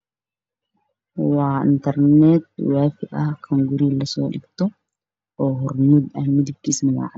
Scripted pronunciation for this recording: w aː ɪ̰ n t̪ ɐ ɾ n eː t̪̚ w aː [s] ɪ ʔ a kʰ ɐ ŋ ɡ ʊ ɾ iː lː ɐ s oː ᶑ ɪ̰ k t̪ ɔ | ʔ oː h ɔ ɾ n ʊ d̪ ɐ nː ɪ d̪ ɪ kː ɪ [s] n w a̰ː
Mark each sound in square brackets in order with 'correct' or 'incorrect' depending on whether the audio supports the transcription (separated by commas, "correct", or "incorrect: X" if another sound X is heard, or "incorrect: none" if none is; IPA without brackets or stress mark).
incorrect: f, correct